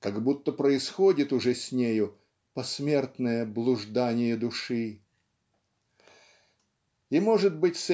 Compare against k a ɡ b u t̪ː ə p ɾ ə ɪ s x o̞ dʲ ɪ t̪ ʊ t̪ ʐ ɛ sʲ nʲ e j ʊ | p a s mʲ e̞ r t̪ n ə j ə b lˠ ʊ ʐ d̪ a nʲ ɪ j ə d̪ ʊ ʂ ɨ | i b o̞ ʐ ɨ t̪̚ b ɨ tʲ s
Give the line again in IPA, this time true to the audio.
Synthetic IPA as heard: k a ɡ b u t̪ː ə p ɾ ə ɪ s x o̞ dʲ ɪ t̪ ʊ ʐ ɛ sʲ nʲ e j ʊ | p ɐ s mʲ e̞ r t̪ n ə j ə b lˠ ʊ ʐ d̪ a nʲ ɪ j ə d̪ ʊ ʂ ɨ | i m o̞ ʐ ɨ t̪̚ b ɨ tʲ s